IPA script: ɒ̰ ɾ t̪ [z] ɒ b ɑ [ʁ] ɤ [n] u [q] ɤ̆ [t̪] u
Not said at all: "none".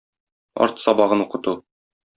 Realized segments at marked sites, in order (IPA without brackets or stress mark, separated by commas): s, ʁ, n, q, t̪